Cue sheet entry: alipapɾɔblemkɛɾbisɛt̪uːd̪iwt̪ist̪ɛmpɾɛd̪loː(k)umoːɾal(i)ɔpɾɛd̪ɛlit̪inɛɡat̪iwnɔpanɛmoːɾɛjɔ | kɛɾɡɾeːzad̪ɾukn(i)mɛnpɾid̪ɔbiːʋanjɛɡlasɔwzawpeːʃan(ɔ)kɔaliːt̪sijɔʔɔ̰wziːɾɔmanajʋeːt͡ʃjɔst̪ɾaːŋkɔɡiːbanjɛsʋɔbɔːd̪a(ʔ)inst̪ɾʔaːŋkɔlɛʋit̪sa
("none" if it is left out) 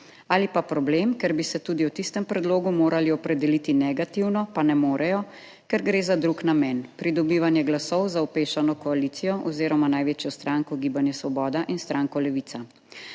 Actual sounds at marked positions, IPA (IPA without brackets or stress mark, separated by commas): ɡ, i, a, ɔ, ʔ